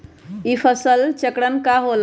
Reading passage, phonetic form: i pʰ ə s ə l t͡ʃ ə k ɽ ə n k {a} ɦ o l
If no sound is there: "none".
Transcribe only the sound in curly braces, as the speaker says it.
a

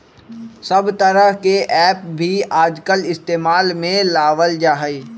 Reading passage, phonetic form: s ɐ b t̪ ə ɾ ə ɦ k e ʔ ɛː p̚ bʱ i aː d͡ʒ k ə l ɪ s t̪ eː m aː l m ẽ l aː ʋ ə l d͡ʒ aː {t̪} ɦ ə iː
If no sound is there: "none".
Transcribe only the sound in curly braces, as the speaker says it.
none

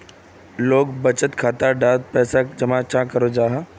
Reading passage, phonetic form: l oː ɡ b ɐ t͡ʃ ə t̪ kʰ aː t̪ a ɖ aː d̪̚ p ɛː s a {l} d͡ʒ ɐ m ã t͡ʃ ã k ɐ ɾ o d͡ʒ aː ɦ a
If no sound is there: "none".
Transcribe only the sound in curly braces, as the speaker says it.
none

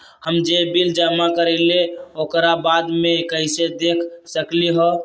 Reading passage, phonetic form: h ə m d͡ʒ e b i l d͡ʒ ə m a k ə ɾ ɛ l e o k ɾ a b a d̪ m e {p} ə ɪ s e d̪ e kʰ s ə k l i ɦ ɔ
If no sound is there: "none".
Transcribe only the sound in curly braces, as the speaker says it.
k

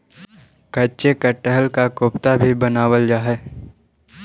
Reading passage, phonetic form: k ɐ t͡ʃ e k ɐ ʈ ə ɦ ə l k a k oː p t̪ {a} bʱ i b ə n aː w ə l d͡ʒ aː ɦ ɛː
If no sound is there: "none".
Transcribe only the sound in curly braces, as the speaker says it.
a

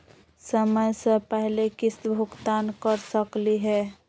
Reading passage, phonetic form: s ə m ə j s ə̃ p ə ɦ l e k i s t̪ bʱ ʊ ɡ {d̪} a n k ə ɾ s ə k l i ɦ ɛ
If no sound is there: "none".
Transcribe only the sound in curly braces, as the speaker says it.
t̪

